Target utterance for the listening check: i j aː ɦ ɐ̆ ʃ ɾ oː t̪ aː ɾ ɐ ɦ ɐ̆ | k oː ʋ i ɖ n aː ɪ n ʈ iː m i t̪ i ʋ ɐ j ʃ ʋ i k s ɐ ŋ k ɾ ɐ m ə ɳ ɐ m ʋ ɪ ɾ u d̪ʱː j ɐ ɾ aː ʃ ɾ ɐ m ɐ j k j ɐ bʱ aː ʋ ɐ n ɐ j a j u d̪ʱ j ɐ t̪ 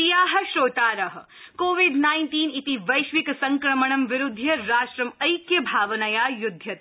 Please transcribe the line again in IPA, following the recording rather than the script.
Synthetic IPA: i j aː ɦ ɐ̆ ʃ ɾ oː t̪ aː ɾ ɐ ɦ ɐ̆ | k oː ʋ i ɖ n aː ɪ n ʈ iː n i t̪ i ʋ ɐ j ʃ ʋ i k s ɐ ŋ k ɾ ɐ m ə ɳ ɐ m ʋ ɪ ɾ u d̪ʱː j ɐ ɾ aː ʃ ɾ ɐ m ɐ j k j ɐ bʱ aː ʋ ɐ n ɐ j a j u d̪ʱ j ɐ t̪